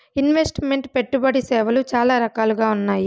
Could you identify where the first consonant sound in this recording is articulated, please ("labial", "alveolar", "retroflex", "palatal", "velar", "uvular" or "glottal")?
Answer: alveolar